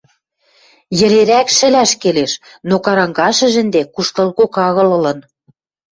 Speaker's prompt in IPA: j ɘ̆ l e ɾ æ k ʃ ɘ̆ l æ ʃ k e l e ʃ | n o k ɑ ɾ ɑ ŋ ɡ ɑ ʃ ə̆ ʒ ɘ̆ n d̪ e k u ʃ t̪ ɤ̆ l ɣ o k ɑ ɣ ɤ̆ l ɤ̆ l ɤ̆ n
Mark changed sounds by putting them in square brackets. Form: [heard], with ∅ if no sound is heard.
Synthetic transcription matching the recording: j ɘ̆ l e ɾ æ k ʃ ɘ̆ l æ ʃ k e l e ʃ | n o k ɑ ɾ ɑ ŋ ɡ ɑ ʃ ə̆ ʒ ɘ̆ n d̪ e k u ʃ t̪ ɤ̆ l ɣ o k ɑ ɣ ɤ̆ l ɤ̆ l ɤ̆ n